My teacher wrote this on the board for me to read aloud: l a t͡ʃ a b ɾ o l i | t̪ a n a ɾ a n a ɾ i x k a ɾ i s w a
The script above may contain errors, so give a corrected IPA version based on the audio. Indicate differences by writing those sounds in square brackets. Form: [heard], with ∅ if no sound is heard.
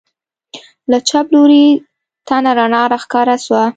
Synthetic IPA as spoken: l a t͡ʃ a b [l] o [ɾ] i | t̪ a n a ɾ a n [ɑ] ɾ [a] x k [ɑ] ɾ [a] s w a